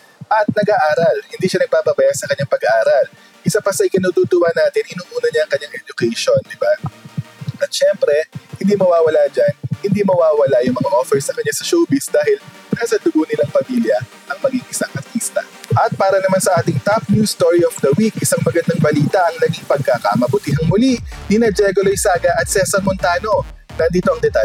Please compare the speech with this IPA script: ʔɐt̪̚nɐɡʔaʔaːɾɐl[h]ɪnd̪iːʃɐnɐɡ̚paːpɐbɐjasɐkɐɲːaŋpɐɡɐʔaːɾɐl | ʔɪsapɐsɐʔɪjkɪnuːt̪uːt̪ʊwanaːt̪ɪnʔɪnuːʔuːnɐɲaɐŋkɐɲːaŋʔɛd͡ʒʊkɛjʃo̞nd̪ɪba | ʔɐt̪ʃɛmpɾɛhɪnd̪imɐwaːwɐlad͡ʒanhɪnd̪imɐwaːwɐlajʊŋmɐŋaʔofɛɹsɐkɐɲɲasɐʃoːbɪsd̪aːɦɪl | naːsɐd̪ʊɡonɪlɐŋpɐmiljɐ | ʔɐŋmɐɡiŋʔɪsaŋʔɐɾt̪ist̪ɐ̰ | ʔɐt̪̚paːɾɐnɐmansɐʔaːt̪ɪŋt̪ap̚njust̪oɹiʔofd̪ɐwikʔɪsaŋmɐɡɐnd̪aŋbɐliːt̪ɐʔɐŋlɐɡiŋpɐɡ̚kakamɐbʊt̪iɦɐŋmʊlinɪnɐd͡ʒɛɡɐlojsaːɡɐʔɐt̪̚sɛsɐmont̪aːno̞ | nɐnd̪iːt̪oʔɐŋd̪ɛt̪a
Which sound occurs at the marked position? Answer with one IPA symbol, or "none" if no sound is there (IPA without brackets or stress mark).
h